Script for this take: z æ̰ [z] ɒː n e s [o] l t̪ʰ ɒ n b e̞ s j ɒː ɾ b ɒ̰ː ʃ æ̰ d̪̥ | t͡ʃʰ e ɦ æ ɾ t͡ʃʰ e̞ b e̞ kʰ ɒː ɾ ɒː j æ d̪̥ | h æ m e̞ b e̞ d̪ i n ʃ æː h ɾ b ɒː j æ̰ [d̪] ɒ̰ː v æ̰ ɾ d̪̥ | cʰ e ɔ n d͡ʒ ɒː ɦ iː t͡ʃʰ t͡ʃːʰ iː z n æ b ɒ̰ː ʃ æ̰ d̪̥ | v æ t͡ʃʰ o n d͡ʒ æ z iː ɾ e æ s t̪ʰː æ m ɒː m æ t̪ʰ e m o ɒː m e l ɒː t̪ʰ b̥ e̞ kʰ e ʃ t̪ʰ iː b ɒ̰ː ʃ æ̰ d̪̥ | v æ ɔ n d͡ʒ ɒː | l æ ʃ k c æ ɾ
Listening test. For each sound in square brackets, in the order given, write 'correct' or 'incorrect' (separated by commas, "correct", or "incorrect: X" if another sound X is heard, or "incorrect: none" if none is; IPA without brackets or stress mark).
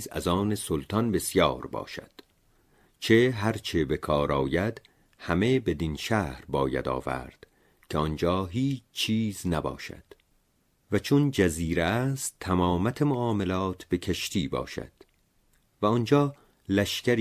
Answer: correct, correct, correct